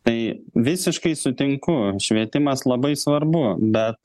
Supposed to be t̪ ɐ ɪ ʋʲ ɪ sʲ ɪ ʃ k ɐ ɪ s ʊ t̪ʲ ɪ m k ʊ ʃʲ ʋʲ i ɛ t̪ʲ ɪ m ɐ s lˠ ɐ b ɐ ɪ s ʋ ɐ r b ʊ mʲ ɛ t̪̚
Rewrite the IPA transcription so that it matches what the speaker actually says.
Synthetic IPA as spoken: t̪ ɐ ɪ ʋʲ ɪ sʲ ɪ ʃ k ɐ ɪ s ʊ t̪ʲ ɪ ŋ k ʊ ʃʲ ʋʲ i ɛ t̪ʲ ɪ m ɐ s lˠ ɐ b ɐ ɪ s ʋ ɐ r b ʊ bʲ ɛ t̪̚